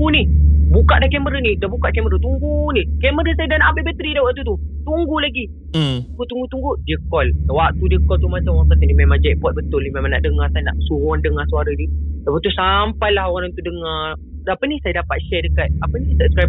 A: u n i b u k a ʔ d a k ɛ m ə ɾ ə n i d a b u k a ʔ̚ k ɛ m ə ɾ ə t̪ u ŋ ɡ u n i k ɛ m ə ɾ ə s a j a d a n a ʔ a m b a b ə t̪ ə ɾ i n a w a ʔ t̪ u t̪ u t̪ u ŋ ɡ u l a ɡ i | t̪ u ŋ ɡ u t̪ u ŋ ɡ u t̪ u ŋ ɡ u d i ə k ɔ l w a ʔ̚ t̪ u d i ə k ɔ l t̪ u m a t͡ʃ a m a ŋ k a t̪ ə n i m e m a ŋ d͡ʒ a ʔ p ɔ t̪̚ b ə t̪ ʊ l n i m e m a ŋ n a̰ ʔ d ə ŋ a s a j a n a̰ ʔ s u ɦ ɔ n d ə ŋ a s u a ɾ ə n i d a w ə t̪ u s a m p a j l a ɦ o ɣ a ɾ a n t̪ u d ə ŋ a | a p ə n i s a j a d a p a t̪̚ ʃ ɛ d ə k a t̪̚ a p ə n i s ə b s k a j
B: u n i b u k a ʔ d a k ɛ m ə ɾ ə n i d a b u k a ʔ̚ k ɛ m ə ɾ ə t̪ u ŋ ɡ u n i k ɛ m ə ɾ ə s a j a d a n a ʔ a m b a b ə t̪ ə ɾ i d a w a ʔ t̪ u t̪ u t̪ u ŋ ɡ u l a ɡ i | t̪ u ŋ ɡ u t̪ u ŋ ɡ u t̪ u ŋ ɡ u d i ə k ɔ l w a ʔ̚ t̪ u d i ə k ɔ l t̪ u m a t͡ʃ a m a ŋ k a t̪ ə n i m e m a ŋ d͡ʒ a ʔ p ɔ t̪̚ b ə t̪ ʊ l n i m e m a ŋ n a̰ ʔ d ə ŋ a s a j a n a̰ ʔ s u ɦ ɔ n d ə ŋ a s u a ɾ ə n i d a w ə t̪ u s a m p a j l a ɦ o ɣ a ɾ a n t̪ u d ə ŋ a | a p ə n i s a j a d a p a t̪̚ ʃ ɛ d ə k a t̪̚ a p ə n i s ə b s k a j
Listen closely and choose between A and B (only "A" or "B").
B